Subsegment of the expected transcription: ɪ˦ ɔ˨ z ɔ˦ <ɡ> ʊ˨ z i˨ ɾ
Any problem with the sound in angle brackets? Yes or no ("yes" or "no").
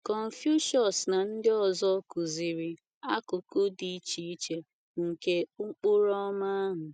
yes